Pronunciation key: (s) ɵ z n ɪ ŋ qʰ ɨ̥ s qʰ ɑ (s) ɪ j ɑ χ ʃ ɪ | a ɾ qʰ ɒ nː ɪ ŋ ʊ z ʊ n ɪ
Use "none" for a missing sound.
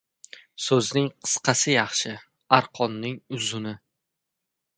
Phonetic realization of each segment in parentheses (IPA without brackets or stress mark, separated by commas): s, s